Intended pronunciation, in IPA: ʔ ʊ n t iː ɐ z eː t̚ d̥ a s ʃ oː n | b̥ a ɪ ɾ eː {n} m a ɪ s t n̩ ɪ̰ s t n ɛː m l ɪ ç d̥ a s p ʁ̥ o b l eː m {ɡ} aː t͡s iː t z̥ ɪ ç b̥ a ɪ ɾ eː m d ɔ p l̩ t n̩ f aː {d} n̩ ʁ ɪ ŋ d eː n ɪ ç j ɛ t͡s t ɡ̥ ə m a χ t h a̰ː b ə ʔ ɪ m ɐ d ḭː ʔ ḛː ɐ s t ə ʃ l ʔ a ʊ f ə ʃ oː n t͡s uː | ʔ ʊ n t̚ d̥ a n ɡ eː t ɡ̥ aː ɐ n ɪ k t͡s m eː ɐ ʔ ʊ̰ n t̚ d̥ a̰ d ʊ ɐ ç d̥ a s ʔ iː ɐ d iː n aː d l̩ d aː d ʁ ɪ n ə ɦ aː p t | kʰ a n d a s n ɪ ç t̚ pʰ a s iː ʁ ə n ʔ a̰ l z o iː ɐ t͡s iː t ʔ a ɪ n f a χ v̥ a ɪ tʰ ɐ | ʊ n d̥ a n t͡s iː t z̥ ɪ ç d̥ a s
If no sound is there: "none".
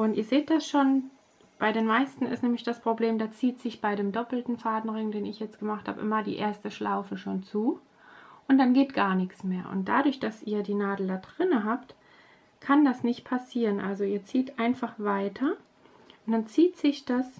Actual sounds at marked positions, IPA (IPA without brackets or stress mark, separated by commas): n, d, d